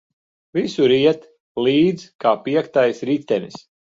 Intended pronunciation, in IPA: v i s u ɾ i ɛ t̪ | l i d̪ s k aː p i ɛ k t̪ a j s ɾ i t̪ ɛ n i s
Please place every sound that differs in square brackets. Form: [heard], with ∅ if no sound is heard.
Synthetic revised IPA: v i s u ɾ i ɛ t̪ | l [iː] d̪ [z] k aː p i ɛ k t̪ a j s ɾ i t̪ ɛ n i s